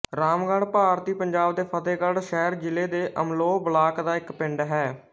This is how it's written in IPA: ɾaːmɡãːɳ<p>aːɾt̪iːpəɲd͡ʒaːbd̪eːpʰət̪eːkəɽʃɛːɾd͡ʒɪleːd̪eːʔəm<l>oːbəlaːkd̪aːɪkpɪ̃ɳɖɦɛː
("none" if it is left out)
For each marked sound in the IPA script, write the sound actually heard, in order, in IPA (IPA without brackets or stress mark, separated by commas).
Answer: p, l